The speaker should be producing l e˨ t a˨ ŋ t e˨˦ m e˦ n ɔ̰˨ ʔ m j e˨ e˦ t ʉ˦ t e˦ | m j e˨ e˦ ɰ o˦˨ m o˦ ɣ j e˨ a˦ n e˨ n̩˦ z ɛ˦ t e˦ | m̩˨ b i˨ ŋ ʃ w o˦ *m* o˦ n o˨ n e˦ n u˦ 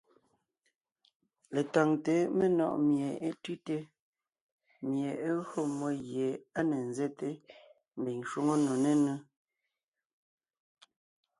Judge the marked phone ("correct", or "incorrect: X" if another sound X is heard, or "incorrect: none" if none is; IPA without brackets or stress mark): incorrect: ŋ